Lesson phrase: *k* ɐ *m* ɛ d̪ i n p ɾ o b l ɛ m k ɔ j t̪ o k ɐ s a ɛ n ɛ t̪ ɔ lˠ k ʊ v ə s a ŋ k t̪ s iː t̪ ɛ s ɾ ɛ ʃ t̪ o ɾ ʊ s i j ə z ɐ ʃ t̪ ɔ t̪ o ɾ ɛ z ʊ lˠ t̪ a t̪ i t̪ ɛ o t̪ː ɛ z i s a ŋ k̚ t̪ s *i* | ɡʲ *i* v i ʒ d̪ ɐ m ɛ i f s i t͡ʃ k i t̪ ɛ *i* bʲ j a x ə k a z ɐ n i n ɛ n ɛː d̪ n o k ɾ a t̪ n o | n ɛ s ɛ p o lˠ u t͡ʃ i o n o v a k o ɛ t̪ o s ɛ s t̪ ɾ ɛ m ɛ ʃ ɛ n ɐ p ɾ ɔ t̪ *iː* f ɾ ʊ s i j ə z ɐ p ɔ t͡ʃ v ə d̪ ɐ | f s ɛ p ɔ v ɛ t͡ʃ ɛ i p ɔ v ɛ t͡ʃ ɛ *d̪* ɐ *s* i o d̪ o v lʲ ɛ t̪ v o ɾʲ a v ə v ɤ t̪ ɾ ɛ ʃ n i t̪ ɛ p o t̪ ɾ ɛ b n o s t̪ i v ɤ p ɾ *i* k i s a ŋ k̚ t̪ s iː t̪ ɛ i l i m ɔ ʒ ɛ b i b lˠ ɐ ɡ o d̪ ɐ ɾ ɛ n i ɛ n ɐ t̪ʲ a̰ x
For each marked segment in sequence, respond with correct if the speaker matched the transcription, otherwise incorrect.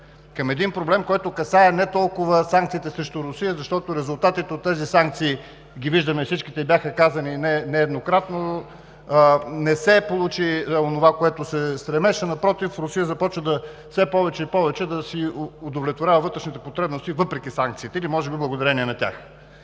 correct, correct, incorrect: iː, correct, correct, incorrect: i, correct, correct, incorrect: ɛ

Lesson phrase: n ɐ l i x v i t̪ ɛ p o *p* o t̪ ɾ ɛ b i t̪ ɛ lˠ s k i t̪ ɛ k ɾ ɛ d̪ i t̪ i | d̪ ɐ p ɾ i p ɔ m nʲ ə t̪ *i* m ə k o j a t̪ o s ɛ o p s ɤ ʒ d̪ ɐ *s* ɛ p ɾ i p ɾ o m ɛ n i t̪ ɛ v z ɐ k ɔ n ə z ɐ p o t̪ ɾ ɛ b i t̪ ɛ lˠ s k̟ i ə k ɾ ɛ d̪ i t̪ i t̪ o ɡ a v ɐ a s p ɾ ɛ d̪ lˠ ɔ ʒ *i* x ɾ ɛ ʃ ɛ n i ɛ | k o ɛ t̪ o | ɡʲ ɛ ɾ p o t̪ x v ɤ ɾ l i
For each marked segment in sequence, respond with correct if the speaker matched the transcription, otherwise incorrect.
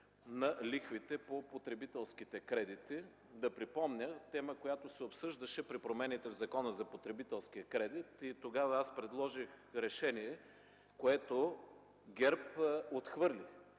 correct, incorrect: ɛ, incorrect: ʃ, correct

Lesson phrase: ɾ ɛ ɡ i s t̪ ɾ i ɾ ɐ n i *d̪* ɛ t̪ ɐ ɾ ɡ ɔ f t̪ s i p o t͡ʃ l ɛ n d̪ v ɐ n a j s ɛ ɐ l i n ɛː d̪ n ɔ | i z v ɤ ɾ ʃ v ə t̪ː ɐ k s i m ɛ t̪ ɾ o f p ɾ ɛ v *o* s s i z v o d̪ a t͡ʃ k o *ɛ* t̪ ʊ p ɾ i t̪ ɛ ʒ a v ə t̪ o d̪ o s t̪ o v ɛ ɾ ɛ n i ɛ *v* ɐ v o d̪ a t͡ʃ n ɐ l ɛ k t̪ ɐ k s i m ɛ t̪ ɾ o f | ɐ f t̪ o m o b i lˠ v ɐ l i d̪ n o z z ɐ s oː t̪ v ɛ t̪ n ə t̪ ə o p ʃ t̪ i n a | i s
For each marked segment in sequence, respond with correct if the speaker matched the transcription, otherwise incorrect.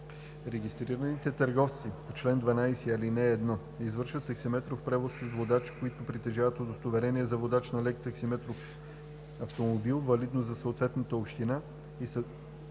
incorrect: t̪, correct, incorrect: i, incorrect: z

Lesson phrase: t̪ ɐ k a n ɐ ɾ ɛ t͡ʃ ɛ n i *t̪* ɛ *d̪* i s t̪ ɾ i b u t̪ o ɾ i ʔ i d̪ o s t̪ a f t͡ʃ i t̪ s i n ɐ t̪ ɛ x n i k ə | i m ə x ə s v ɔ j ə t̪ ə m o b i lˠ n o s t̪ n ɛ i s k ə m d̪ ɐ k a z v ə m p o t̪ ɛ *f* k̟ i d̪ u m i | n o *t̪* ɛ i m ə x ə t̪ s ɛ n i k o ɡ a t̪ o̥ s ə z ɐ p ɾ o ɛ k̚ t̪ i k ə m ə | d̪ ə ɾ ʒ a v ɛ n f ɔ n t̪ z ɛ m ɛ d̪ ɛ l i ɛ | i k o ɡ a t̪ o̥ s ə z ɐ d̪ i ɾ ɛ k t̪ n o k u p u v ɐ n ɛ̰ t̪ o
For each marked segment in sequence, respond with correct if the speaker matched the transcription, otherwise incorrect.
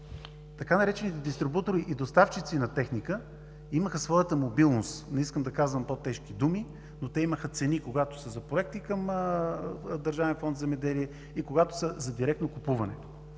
correct, correct, incorrect: ʃ, correct

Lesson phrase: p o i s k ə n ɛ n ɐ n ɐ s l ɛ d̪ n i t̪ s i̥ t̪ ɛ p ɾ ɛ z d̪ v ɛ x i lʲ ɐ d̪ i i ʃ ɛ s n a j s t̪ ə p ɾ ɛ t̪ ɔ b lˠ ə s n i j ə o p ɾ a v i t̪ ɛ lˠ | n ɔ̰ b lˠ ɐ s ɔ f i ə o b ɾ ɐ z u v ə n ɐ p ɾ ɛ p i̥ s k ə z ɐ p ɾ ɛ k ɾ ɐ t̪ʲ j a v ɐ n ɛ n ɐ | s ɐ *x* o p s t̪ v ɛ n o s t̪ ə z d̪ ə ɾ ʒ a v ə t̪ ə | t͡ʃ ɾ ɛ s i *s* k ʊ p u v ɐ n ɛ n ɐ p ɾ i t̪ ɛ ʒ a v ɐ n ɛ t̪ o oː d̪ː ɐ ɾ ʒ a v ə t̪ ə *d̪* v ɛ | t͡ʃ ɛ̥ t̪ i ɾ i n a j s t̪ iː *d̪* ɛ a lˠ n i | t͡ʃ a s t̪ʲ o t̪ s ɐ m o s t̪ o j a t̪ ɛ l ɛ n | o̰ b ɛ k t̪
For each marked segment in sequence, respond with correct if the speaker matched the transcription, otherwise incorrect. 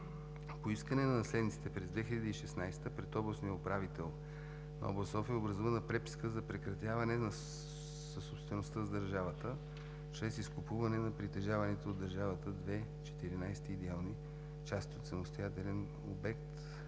incorrect: s, correct, correct, correct

